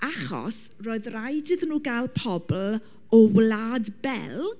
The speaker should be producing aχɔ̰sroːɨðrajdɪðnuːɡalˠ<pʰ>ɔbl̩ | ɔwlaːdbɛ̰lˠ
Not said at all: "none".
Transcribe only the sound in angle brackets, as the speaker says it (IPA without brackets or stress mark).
pʰ